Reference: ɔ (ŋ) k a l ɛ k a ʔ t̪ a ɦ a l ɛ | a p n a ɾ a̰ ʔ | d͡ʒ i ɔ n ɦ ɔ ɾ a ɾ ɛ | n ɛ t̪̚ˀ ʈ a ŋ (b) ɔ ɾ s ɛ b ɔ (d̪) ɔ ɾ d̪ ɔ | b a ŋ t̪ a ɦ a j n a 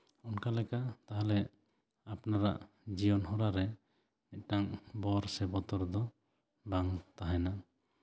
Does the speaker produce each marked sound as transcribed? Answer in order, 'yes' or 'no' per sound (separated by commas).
no, yes, no